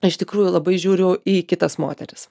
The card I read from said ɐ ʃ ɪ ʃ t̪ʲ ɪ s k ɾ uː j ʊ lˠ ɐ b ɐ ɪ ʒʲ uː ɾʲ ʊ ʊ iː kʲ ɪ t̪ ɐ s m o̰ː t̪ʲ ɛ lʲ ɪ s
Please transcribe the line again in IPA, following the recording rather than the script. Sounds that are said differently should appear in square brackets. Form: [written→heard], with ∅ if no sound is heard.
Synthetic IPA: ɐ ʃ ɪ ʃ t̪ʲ ɪ [s→∅] k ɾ uː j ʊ lˠ ɐ b ɐ ɪ ʒʲ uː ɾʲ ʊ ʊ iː kʲ ɪ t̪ ɐ s m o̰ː t̪ʲ ɛ [lʲ→ɾʲ] ɪ s